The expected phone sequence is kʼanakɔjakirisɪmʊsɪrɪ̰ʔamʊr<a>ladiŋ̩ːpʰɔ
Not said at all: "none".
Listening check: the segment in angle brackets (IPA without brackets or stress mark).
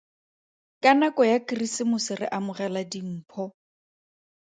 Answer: ɛ